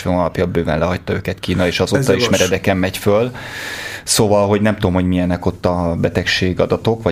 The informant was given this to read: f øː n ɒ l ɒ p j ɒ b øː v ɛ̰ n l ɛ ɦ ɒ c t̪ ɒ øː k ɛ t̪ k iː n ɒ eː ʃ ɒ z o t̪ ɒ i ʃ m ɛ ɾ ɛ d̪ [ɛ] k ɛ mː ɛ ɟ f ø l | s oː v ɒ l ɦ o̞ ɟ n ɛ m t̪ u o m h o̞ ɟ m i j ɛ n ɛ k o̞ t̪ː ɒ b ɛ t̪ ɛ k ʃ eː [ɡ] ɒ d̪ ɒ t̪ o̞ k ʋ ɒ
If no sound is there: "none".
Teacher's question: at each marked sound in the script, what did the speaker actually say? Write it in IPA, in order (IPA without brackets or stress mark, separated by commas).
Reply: ɛ, ɡ